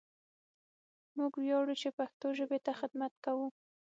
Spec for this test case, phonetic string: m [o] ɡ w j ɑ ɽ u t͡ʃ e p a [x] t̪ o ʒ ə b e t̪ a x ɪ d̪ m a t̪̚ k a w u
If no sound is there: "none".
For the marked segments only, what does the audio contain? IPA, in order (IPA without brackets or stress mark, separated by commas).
u, x